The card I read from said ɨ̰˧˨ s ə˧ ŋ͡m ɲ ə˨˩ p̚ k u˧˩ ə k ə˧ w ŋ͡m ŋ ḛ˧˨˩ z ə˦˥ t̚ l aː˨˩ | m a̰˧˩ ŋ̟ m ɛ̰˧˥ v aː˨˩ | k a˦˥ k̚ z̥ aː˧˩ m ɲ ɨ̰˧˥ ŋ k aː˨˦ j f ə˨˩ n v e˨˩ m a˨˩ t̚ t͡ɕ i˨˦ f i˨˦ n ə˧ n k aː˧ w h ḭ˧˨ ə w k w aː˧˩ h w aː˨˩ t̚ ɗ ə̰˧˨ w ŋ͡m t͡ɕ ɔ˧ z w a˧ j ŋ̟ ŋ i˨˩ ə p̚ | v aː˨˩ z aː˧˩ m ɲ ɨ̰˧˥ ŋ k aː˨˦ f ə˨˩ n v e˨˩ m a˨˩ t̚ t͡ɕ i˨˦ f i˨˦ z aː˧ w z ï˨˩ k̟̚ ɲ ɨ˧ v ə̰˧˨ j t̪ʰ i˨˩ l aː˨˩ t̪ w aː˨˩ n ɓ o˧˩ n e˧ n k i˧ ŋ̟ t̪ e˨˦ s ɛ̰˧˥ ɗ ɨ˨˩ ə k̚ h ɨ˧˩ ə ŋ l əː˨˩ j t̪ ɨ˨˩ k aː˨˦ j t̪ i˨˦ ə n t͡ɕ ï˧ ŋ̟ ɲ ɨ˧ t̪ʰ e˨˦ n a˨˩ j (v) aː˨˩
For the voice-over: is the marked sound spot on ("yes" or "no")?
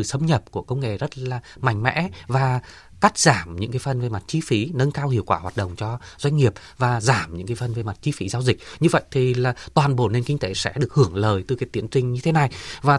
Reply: yes